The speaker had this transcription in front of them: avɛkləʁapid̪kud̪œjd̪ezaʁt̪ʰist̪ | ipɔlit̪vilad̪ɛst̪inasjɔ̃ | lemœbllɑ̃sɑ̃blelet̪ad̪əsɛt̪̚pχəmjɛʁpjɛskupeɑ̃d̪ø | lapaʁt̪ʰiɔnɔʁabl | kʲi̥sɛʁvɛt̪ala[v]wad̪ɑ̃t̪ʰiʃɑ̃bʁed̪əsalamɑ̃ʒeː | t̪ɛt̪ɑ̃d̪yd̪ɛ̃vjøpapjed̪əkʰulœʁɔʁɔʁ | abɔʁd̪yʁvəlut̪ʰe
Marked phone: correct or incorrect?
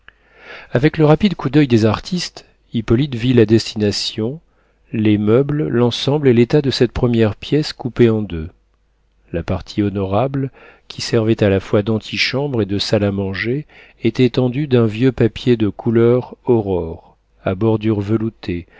incorrect